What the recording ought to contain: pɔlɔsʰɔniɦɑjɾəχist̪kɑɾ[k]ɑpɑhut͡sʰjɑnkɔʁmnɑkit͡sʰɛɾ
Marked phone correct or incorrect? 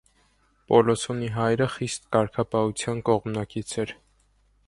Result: incorrect